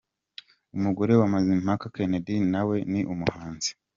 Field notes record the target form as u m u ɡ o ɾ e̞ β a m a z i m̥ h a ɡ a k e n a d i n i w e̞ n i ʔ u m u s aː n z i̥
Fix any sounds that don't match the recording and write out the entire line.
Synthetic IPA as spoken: u m u ɡ o ɾ e̞ w a m a z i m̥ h a k a k e n e d i n a w e̞ n i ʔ u m u h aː n z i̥